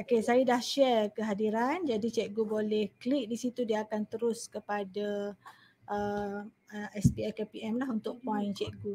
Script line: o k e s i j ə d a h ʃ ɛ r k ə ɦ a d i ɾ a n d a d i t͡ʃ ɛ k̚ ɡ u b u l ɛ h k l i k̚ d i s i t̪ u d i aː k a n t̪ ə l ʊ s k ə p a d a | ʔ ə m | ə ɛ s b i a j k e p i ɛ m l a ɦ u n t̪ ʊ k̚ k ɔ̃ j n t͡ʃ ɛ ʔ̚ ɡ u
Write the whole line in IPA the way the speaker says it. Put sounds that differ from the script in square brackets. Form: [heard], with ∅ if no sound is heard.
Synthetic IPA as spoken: o k e s [a] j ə d a h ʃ ɛ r k ə ɦ a d i ɾ a n [d͡ʒ] a d i t͡ʃ ɛ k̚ ɡ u b [o] l ɛ h k l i k̚ d i s i t̪ u d i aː k a n t̪ ə [ɾ] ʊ s k ə p a d a | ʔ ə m | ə ɛ s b i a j k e p i ɛ m l a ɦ u n t̪ ʊ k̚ [p] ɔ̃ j n t͡ʃ ɛ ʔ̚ ɡ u